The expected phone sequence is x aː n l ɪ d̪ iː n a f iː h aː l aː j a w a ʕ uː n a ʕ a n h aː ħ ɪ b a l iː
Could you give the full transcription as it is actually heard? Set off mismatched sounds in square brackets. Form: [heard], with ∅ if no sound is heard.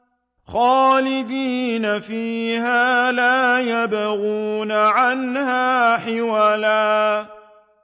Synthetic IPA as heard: x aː [∅] l ɪ d̪ iː n a f iː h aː l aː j a [b] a [ɣ] uː n a ʕ a n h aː ħ ɪ [w] a l [aː]